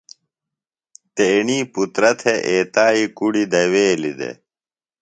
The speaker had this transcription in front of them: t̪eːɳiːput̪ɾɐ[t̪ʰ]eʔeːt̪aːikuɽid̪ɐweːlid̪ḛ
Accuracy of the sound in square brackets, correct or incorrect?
correct